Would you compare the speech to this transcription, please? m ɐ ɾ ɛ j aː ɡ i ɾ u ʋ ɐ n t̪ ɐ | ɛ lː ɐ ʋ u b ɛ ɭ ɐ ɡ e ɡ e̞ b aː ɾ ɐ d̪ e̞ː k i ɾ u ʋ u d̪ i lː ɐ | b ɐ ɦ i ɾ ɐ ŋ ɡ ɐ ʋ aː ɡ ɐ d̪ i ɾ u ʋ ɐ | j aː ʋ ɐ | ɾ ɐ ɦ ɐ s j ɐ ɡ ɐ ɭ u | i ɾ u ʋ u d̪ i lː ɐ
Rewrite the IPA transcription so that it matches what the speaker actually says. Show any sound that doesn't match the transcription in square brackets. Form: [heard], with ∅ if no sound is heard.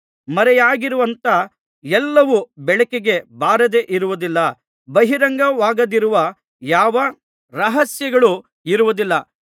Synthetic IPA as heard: m ɐ ɾ ɛ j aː ɡ i ɾ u ʋ ɐ n t̪ ɐ | ɛ lː ɐ ʋ u b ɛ ɭ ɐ [k] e ɡ e̞ b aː ɾ ɐ d̪ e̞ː [ʔ] i ɾ u ʋ u d̪ i lː ɐ | b ɐ ɦ i ɾ ɐ ŋ ɡ ɐ ʋ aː ɡ ɐ d̪ i ɾ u ʋ ɐ | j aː ʋ ɐ | ɾ ɐ ɦ ɐ s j ɐ ɡ ɐ ɭ u | i ɾ u ʋ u d̪ i lː ɐ